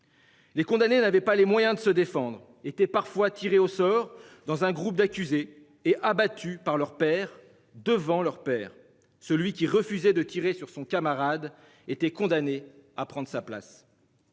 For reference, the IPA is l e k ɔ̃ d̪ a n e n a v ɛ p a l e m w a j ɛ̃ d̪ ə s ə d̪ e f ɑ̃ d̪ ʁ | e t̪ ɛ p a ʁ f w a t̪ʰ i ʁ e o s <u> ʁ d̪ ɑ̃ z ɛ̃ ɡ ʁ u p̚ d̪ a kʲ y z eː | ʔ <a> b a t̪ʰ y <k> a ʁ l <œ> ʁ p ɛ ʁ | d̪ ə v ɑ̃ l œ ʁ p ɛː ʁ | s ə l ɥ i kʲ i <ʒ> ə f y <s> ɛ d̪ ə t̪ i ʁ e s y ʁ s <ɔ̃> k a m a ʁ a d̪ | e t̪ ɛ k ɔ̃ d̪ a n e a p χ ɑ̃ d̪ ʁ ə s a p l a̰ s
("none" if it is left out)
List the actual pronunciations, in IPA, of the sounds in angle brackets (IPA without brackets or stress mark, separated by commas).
ɔ, a, p, œ, ʁ, z, ɔ̃